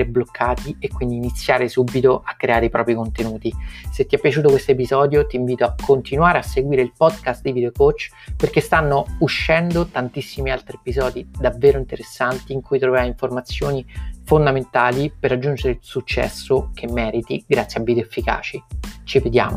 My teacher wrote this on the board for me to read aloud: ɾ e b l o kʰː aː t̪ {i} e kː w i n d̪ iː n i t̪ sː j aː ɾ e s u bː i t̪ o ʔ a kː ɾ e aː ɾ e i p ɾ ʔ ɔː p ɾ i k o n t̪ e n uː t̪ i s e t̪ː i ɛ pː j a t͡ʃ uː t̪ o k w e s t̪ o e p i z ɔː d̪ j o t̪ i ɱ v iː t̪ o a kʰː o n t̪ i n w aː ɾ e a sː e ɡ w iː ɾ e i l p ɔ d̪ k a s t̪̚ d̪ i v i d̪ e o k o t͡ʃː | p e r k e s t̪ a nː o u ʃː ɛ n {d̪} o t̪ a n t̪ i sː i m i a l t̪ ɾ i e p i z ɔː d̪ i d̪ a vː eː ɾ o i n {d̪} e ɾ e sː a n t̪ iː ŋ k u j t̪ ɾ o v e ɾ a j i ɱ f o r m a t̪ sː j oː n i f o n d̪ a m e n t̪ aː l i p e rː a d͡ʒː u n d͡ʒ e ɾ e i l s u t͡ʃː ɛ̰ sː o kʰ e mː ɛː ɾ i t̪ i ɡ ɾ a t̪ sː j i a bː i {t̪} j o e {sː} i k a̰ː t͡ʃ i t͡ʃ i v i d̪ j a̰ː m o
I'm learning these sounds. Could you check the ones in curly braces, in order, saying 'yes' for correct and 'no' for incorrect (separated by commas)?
yes, yes, no, no, no